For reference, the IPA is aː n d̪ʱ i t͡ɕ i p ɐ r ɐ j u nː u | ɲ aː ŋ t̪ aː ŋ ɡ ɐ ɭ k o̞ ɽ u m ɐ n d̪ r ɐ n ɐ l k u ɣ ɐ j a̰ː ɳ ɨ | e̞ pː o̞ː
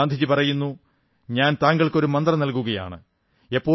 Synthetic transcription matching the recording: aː n d̪ʱ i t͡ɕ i p ɐ r ɐ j u nː u | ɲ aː n t̪ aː ŋ ɡ ɐ ɭ k o̞ ɾ u m ɐ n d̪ r ɐ n ɐ l k u ɣ ɐ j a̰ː ɳ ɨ | e̞ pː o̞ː